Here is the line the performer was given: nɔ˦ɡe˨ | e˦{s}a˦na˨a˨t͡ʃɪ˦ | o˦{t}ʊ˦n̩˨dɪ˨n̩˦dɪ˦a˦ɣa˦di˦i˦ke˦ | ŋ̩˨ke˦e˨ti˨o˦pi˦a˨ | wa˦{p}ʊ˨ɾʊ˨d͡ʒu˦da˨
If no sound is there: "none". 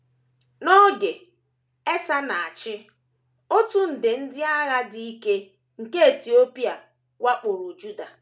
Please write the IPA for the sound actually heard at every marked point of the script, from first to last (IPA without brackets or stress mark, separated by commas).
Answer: s, t, k͡p